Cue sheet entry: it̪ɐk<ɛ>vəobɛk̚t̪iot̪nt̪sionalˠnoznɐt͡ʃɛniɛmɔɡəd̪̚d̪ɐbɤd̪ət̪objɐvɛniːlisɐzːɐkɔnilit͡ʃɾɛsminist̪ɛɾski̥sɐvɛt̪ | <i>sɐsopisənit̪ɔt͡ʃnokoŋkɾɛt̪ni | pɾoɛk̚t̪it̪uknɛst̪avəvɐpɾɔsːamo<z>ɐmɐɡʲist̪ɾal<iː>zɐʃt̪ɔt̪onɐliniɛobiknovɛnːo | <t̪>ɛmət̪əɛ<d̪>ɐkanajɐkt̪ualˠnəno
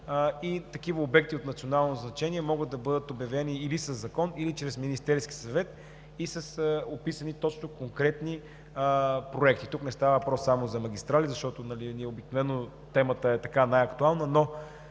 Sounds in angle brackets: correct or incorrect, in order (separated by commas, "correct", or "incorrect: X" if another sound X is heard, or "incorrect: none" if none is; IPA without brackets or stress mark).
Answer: incorrect: i, correct, correct, incorrect: i, correct, incorrect: t̪